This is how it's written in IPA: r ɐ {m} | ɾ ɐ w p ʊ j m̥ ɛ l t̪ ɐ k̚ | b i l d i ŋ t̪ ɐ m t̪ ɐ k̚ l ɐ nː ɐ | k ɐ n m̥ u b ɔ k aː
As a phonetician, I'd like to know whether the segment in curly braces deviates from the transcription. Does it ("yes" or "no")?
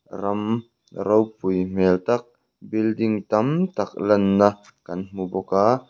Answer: no